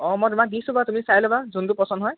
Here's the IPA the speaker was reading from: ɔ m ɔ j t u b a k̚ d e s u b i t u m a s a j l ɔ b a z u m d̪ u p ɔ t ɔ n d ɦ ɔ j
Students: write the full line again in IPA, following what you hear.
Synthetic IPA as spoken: ɔ m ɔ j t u m a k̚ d i s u b a t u m i s a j l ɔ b a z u n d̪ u p ɔ s ɔ n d ɦ ɔ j